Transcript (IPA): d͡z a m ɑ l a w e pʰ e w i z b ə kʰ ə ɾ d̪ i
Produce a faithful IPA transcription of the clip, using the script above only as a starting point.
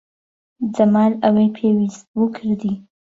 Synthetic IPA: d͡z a m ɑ l a w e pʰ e w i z w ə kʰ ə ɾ d̪ i